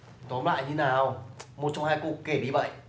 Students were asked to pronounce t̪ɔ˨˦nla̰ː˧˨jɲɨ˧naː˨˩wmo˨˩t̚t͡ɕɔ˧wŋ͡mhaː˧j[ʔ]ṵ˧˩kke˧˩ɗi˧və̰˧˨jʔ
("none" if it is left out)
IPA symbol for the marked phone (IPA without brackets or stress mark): k